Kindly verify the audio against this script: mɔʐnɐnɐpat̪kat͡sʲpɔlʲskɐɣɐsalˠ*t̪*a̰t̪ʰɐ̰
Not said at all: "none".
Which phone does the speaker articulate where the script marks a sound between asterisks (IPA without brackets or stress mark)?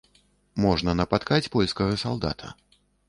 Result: d̪